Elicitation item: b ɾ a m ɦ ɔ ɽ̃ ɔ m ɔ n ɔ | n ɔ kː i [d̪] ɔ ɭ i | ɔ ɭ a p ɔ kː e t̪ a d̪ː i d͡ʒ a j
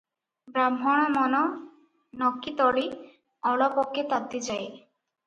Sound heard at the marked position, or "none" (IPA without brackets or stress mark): t̪